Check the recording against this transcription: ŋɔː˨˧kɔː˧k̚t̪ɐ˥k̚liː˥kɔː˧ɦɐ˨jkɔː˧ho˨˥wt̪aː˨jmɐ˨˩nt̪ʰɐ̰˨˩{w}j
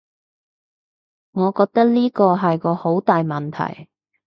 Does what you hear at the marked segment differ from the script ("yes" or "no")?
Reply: yes